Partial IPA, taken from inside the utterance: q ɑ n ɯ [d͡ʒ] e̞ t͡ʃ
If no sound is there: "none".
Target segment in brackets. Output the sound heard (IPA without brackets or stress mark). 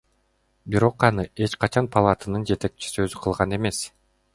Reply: none